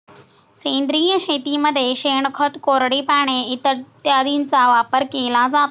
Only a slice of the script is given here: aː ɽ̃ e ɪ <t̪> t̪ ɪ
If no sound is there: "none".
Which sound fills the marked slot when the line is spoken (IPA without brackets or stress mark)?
t̪